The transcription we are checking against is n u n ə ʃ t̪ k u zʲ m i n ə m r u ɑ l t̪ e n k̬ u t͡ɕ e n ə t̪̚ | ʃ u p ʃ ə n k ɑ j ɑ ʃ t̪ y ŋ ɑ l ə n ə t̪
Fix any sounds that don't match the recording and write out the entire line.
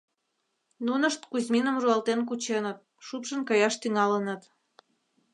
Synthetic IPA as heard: n u n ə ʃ t̪ k u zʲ m i n ə m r u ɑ l t̪ e n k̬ u t͡ɕ e n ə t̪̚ | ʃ u p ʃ ə n k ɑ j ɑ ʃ t̪ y ŋ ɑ l ə n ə t̪

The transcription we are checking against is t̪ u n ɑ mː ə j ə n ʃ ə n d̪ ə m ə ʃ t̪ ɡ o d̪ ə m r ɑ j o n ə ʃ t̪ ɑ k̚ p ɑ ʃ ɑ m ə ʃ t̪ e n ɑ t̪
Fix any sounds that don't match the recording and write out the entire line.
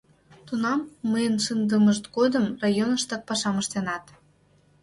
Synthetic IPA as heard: t̪ u n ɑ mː ə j ə n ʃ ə n d̪ ə m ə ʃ t̪ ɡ o d̪ ə m r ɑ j o n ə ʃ t̪ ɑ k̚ p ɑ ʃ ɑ m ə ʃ t̪ e n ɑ t̪

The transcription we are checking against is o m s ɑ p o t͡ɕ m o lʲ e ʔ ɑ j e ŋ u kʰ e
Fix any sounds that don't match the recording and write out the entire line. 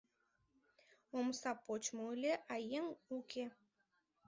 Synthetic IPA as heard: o m s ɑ p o t͡ɕ m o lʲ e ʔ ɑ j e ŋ u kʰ e

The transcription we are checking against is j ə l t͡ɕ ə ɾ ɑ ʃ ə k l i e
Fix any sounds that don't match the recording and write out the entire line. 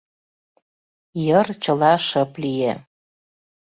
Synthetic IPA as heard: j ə r t͡ɕ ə l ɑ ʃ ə p l i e

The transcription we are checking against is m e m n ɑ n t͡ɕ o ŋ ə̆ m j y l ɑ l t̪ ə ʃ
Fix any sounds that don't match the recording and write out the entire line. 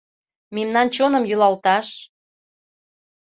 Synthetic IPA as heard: m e m n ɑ n t͡ɕ o n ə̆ m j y l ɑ l t̪ ɑ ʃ

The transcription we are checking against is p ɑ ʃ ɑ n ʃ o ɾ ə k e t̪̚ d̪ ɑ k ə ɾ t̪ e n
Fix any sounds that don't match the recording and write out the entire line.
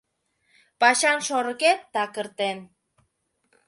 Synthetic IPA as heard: p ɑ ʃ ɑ n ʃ o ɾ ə k e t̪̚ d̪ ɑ k ə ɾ t̪ e n

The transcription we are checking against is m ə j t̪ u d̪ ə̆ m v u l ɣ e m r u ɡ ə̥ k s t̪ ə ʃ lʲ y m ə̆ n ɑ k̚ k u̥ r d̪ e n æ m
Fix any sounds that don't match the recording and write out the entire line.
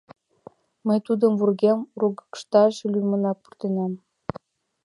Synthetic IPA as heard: m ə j t̪ u d̪ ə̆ m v u r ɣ e m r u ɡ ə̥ k ʃ t̪ ɑ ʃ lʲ y m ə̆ n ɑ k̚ p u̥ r t̪ e n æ m

